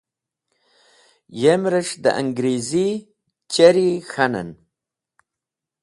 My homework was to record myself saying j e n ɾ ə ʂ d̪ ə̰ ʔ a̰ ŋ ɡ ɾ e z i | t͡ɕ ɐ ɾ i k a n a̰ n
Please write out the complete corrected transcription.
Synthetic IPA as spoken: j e m ɾ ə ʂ d̪ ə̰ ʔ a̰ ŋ ɡ ɾ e z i | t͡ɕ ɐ ɾ i x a n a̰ n